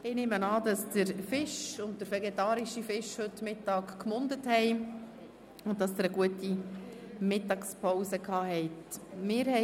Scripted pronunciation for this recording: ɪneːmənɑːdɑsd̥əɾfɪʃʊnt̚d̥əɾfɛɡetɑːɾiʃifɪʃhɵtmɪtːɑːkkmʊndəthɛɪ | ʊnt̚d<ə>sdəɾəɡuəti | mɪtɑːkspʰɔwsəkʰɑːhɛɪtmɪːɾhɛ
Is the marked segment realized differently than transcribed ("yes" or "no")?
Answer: yes